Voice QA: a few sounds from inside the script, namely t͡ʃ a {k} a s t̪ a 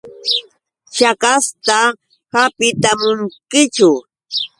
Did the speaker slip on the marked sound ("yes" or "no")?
no